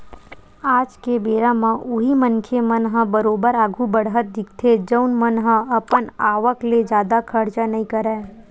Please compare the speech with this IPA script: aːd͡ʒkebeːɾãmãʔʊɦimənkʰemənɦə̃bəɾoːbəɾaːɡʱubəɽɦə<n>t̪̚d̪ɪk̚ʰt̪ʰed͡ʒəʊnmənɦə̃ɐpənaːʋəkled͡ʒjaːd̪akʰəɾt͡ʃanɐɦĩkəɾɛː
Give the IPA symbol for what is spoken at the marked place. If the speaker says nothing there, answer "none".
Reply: none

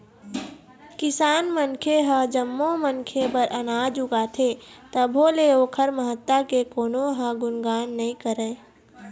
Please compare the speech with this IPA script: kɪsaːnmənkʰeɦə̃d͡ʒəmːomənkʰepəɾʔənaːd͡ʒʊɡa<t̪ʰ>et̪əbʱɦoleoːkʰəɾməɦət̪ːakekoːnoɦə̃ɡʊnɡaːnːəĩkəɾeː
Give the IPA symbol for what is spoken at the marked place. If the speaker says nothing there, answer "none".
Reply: t̪ʰ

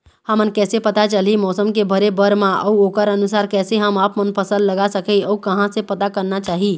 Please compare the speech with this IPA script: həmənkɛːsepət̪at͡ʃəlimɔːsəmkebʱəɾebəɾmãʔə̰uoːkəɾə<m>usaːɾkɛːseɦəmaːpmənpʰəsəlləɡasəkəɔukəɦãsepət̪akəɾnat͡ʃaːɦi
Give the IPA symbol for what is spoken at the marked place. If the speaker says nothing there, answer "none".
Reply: n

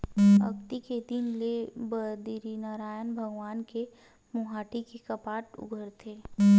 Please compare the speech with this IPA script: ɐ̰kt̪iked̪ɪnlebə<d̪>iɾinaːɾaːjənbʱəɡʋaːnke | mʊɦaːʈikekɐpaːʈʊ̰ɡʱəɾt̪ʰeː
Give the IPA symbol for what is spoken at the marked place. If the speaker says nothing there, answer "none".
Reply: d̪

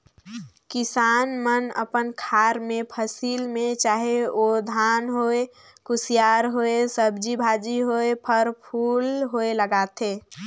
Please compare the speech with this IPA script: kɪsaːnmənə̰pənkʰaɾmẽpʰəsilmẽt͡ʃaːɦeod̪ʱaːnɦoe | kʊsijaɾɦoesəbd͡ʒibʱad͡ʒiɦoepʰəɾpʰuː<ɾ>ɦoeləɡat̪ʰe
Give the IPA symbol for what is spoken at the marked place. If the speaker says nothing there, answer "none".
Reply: l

